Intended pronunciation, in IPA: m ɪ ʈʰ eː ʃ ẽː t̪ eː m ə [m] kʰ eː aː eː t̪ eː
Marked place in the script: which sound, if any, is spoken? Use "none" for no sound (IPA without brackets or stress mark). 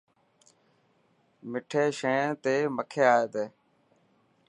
none